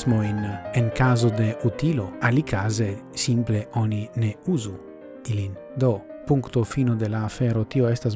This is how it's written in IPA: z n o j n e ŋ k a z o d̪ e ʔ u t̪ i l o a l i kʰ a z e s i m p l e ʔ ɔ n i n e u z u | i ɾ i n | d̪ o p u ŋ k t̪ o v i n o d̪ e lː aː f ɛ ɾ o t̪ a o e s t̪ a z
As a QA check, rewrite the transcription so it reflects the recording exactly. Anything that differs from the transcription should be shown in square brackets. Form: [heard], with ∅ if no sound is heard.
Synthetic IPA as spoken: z [m] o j n e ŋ k a z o d̪ e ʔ u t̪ i l o a l i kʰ a z e s i m p l e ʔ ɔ n i n e u z u | i [l] i n | d̪ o p u ŋ k t̪ o [f] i n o d̪ e [l] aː f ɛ ɾ o t̪ [i] o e s t̪ a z

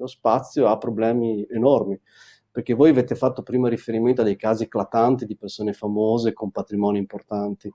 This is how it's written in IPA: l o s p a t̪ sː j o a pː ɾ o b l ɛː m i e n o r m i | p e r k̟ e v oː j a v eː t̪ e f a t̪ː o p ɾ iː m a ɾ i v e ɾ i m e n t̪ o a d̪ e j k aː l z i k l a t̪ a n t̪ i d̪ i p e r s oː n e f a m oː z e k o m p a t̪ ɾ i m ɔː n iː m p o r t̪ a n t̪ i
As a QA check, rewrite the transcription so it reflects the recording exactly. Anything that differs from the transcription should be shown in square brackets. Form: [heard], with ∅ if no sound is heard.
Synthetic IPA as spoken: l o s p a t̪ sː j o a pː ɾ o b l ɛː m i e n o r m i | p e r k̟ e v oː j a v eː t̪ e f a t̪ː o p ɾ iː m a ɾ i [f] e ɾ i m e n t̪ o a d̪ e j k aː [∅] z i k l a t̪ a n t̪ i d̪ i p e r s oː n e f a m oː z e k o m p a t̪ ɾ i m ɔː n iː m p o r t̪ a n t̪ i

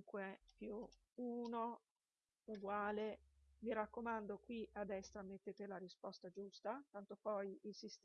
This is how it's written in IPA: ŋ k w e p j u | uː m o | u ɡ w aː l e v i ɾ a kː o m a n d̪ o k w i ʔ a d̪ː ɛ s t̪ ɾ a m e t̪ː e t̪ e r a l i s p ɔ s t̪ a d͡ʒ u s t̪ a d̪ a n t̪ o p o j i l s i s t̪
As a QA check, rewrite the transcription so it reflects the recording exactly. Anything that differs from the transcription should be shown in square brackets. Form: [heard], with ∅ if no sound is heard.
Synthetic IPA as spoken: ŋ k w e p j u | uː [n] o | u ɡ w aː l e v i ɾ a kː o m a n d̪ o k w i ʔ a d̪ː ɛ s t̪ ɾ a m e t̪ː e t̪ e [l] a [ɾ] i s p ɔ s t̪ a d͡ʒ u s t̪ a [t̪] a n t̪ o p [ɔ] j i l s i s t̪

